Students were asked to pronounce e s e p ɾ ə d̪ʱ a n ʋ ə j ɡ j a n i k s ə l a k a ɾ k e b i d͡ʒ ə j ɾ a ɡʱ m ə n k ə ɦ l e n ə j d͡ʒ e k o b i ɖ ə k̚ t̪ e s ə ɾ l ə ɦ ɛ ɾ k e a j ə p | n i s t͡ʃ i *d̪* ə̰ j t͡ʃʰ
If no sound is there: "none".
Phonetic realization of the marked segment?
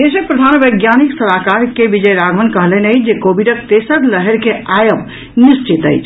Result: t̪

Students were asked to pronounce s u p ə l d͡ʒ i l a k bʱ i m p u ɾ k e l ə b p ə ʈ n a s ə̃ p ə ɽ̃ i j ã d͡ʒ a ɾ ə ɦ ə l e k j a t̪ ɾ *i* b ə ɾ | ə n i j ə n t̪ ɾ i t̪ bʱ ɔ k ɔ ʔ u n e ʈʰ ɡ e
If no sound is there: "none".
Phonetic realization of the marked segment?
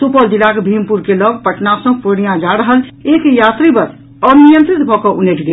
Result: i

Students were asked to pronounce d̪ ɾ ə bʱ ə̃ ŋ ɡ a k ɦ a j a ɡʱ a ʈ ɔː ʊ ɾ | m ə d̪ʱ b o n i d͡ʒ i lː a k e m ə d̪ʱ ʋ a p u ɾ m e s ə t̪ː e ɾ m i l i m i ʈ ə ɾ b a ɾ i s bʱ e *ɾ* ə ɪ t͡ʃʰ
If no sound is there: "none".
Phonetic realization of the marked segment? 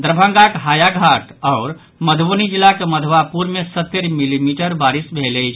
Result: l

